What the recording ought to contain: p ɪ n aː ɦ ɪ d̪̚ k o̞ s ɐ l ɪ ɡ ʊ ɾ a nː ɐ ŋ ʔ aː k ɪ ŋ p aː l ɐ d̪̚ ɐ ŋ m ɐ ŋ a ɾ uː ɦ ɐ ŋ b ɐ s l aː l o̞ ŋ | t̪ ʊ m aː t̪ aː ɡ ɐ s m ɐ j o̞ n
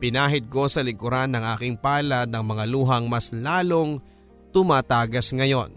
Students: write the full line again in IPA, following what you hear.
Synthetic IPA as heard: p ɪ n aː ɦ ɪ d̪̚ k o̞ s ɐ l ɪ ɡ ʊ ɾ a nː ɐ ŋ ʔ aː k ɪ ŋ p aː l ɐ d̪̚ ɐ ŋ m ɐ ŋ a l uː ɦ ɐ ŋ m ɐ s l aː l o̞ ŋ | t̪ ʊ m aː t̪ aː ɡ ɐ s ŋ ɐ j o̞ n